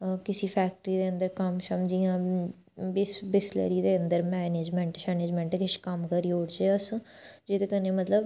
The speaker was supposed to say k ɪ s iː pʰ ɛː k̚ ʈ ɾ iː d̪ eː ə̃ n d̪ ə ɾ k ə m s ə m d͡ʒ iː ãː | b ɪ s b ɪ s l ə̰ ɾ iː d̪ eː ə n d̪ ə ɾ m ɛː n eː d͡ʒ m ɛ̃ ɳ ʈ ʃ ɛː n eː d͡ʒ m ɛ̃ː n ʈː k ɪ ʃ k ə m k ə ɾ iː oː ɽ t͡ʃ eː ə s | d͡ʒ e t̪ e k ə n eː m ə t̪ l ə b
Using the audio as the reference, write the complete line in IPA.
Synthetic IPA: k ɪ s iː pʰ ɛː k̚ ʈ ɾ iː d̪ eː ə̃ n d̪ ə ɾ k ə m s ə m d͡ʒ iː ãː | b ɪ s b ɪ s l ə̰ ɾ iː d̪ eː ə n d̪ ə ɾ m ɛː n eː d͡ʒ m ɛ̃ ɳ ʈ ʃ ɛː n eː d͡ʒ m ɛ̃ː ɳ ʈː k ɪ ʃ k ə m k ə ɾ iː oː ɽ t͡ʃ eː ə s | d͡ʒ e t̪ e k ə n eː m ə t̪ l ə b